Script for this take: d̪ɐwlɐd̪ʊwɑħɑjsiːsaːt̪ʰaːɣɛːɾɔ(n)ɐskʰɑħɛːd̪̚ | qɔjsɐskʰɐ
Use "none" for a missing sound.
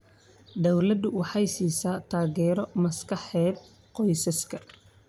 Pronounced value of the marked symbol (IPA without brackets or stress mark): m